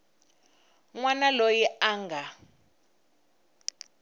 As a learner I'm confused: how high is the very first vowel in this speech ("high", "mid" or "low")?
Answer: low